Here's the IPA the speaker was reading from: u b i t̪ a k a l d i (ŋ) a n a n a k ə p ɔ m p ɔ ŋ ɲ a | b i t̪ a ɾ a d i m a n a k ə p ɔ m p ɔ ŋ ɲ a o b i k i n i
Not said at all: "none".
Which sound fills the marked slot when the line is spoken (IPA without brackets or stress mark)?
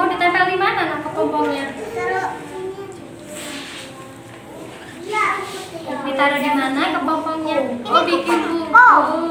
m